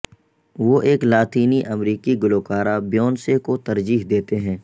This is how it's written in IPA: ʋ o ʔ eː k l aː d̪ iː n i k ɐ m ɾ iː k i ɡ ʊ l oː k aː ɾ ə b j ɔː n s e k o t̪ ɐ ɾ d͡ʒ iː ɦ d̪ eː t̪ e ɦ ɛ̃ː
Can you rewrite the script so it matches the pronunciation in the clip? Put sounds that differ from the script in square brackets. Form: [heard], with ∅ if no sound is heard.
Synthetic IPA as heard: ʋ o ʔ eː k l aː [t̪] iː n i [ʔ] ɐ m ɾ iː k i ɡ ʊ l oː k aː ɾ [a] b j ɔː n s e k o t̪ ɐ ɾ d͡ʒ iː ɦ d̪ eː t̪ e ɦ ɛ̃ː

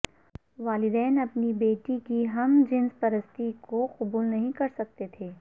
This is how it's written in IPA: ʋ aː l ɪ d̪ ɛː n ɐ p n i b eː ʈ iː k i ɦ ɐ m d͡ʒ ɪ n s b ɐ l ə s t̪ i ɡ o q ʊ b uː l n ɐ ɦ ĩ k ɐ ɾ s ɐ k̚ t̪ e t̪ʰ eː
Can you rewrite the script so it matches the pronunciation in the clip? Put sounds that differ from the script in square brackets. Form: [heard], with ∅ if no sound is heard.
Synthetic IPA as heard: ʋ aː l ɪ d̪ ɛː n ɐ p n i b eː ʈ [i] k i ɦ ɐ m d͡ʒ ɪ n s [p] ɐ [ɾ] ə s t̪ i [k] o q ʊ b uː l n ɐ ɦ ĩ k ɐ ɾ s ɐ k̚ t̪ e t̪ʰ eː

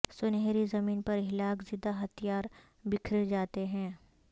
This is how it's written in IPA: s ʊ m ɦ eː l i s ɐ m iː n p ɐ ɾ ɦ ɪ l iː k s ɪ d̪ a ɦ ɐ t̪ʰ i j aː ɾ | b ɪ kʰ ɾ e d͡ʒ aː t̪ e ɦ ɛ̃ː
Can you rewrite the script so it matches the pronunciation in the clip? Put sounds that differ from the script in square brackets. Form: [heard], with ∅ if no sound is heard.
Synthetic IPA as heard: s ʊ [n] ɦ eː [ɾ] i [z] ɐ m iː n p ɐ ɾ ɦ ɪ l [aː] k [z] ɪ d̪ a ɦ ɐ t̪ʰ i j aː ɾ | b ɪ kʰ ɾ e d͡ʒ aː t̪ e ɦ ɛ̃ː

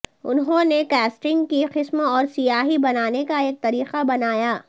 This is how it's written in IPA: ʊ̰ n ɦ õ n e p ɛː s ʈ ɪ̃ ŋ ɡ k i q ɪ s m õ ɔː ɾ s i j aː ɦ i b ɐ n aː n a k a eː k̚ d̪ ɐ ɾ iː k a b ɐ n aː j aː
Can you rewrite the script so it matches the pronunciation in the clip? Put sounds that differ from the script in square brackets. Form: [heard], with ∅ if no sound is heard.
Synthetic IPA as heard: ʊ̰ n ɦ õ n e [k] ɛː s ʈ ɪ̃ ŋ ɡ k i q ɪ s m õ ɔː ɾ s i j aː ɦ i b ɐ n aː n [e] k a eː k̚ [t̪] ɐ ɾ iː [q] a b ɐ n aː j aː

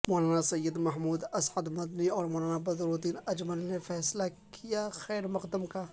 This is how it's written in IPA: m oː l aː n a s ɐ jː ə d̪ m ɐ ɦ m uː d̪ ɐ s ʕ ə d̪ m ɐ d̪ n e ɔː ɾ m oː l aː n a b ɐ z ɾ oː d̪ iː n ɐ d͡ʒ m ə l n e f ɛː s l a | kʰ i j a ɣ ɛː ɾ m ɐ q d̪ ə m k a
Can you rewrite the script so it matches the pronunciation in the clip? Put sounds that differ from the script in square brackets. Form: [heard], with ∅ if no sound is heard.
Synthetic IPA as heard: m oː l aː n a s ɐ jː ə d̪ m ɐ ɦ m uː d̪ ɐ s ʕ ə d̪ m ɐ d̪ n [i] ɔː ɾ m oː l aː n a b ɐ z ɾ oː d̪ iː n ɐ d͡ʒ m ə l n e f ɛː s l a | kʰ i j a [x] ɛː ɾ m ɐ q d̪ ə m k a

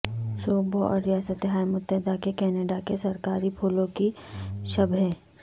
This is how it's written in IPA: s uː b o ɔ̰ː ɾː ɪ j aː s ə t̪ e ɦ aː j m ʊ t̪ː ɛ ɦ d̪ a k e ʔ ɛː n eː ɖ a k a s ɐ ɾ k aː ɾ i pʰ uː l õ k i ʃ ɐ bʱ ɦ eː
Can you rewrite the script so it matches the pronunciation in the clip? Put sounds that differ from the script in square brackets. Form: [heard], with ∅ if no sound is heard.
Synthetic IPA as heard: s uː b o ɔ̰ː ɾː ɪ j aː s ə t̪ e ɦ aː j m ʊ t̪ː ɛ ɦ d̪ a k e [k] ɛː n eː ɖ a k [e] s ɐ ɾ k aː ɾ i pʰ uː l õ k i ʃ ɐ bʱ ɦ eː

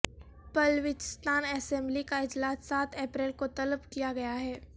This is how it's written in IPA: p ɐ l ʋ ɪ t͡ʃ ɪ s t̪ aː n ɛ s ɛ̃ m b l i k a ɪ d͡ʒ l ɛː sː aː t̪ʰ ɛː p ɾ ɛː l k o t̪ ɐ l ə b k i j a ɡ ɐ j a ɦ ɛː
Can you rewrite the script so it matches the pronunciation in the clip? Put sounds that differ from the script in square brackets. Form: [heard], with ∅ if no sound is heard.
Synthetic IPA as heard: p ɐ l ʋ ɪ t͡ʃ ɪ s t̪ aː n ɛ s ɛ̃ m b l i k a ɪ d͡ʒ l [aː] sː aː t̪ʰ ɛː p ɾ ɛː l k o t̪ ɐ l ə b k i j a ɡ ɐ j a ɦ ɛː

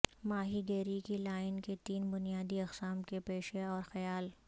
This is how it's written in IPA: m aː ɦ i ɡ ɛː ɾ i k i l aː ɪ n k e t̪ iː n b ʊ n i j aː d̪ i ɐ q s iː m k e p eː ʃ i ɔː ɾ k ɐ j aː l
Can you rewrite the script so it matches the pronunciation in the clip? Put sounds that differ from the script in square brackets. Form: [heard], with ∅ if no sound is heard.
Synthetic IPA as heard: m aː ɦ i ɡ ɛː ɾ i k i l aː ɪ n k e t̪ iː n b ʊ n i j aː d̪ i ɐ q s [aː] m k e p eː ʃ [e] ɔː ɾ [x] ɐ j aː l

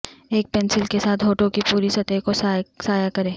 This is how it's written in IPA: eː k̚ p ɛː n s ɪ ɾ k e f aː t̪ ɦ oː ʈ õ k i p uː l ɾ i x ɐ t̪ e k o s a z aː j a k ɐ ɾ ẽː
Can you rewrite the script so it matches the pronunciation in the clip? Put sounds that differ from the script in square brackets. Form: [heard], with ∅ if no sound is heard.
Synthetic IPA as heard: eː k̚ p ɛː n s ɪ [l] k e [s] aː t̪ ɦ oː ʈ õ k i p uː [∅] ɾ i [s] ɐ t̪ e k o s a [s] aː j a k ɐ ɾ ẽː

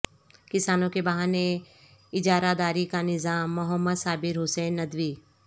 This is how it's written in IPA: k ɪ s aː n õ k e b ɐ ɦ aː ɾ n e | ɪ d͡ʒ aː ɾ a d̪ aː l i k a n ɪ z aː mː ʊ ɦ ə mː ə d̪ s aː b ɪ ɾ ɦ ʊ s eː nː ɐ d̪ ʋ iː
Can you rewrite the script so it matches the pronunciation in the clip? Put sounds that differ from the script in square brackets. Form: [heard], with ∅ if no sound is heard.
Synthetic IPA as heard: k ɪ s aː n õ k e b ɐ ɦ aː [∅] n e | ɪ d͡ʒ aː ɾ a d̪ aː [ɾ] i k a n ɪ z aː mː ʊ ɦ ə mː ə d̪ s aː b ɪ ɾ ɦ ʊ s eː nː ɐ d̪ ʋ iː

